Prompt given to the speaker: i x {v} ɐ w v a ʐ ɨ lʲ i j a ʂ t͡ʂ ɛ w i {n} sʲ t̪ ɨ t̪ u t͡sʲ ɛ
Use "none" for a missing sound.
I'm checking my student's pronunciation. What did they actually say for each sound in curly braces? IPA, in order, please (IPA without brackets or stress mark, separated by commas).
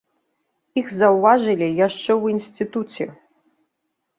z, n